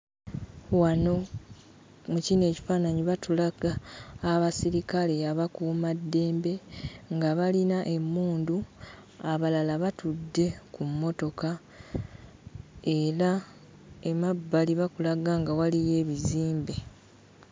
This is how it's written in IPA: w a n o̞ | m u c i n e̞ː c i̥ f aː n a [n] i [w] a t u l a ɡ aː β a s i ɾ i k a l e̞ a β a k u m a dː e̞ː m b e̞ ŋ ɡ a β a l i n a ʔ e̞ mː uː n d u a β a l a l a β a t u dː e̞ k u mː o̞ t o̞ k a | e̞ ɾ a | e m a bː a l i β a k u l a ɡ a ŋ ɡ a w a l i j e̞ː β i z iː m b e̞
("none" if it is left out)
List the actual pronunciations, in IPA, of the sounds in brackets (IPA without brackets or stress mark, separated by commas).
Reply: ɲ, β